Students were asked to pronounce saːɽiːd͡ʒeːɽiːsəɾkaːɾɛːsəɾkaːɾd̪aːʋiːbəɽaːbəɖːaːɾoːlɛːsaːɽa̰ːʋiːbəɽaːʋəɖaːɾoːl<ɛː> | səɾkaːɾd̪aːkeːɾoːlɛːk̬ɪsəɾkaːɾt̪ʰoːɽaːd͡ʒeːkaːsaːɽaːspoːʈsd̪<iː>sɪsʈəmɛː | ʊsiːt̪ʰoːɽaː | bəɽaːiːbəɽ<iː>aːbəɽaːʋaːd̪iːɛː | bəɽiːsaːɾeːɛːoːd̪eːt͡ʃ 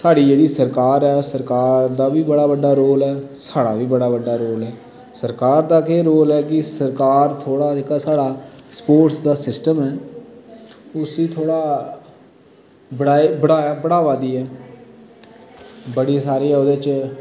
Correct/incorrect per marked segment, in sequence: correct, incorrect: aː, incorrect: aː

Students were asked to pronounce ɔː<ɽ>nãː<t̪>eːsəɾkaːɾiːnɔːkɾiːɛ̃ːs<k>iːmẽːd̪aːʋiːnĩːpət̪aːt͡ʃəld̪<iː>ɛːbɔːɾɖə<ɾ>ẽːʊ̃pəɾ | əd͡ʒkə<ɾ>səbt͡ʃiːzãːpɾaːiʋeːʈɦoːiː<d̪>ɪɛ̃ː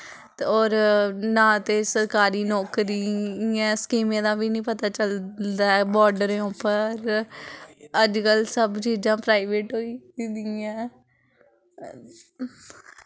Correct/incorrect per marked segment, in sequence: incorrect: ɾ, correct, correct, incorrect: aː, correct, incorrect: l, correct

